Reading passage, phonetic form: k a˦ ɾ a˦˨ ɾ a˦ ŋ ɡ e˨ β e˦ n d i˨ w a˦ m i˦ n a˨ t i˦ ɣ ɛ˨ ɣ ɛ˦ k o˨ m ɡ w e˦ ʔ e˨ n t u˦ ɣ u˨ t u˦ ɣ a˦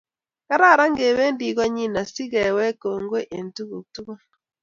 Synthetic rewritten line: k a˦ ɾ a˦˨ ɾ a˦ ŋ ɡ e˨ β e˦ n d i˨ ɣ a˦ ɲ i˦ n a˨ s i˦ ɣ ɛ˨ w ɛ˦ k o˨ ŋ ɡ w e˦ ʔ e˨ n t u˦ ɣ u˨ t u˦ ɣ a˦